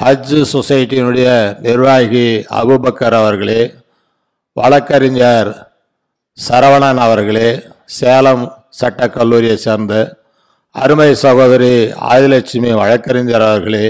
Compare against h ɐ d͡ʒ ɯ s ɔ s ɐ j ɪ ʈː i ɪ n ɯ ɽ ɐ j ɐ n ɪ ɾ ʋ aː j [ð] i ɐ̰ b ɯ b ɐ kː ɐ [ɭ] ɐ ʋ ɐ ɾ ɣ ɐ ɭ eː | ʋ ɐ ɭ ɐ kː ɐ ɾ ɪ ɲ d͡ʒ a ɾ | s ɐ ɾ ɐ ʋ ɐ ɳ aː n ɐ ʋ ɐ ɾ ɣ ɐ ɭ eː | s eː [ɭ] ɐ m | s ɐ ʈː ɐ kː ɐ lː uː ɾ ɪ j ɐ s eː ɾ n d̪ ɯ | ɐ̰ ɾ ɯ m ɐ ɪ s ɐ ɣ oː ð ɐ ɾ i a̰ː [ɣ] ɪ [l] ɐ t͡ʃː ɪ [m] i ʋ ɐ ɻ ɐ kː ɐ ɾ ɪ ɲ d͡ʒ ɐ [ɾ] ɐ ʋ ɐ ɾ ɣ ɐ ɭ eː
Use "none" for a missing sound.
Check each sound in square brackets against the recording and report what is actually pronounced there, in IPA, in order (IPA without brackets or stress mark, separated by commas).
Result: ɣ, ɾ, l, ð, l, m, ɾ